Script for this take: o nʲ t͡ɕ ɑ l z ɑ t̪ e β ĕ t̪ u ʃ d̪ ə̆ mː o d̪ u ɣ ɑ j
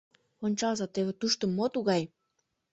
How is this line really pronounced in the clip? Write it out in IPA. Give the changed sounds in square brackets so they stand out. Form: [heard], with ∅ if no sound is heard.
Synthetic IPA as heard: o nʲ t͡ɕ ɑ l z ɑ t̪ e β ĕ t̪ u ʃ [t̪] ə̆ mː o [t̪] u ɣ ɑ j